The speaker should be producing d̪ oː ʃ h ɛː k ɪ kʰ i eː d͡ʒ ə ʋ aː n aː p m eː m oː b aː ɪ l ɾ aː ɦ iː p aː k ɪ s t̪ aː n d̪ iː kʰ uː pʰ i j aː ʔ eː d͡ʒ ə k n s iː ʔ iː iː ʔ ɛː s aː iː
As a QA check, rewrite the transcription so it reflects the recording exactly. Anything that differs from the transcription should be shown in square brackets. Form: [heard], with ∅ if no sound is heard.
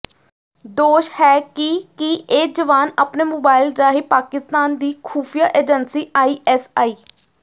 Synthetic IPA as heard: d̪ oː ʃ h ɛː k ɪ [k] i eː d͡ʒ ə ʋ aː n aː p [n] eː m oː b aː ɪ l ɾ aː ɦ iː p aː k ɪ s t̪ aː n d̪ iː kʰ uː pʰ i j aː ʔ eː d͡ʒ ə [∅] n s iː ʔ [aː] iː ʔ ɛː s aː iː